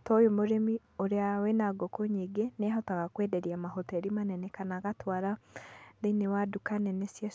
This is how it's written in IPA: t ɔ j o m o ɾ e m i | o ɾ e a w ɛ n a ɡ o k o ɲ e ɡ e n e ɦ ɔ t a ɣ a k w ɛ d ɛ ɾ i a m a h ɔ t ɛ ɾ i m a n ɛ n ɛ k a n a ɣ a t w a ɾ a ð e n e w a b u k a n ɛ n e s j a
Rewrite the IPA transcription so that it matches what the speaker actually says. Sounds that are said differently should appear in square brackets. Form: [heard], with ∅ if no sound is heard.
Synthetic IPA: t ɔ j o m o ɾ e m i | o ɾ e a w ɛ n a ɡ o k o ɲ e ɡ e n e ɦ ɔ t a ɣ a k w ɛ d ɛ ɾ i a m a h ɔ t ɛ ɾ i m a n ɛ n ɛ k a n a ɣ a t w a ɾ a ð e n e w a [d] u k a n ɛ n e s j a